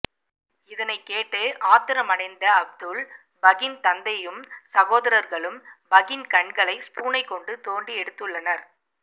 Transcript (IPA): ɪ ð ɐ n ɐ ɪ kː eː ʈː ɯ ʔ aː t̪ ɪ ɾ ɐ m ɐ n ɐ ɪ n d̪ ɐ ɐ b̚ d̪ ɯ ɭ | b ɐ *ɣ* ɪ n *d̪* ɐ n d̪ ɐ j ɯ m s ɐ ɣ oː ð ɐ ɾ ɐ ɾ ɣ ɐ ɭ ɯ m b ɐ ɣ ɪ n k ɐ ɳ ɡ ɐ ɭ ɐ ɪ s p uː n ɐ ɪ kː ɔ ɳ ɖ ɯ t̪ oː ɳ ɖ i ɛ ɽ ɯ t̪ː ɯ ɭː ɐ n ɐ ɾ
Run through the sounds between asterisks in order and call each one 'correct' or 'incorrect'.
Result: correct, incorrect: t̪

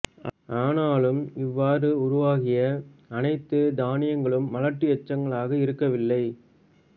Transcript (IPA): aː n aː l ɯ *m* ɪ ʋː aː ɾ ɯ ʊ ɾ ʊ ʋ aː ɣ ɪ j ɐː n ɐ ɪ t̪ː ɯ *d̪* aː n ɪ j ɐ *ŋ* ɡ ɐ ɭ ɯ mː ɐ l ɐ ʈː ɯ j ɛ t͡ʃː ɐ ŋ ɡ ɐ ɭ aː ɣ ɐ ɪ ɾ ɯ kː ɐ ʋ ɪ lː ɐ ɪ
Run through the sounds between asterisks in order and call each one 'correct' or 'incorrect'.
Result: correct, correct, correct

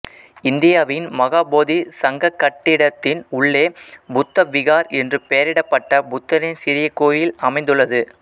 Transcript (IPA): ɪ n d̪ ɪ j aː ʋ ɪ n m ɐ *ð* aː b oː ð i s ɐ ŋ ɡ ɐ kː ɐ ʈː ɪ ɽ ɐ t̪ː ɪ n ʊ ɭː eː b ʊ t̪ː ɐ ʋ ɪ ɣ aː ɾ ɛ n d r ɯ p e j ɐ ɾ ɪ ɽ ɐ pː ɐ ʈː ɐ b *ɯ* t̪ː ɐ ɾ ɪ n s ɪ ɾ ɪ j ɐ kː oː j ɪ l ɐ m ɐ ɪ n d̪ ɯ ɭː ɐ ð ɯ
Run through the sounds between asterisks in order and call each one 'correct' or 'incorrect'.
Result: incorrect: ɣ, incorrect: ʊ

